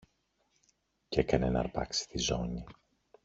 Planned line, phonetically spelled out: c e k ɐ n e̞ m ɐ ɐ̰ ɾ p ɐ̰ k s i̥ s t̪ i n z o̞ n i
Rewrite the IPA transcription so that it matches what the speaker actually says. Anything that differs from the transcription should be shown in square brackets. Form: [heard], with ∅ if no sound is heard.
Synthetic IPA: c e k ɐ n e̞ [n] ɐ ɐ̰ ɾ p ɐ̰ k s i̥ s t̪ i [∅] z o̞ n i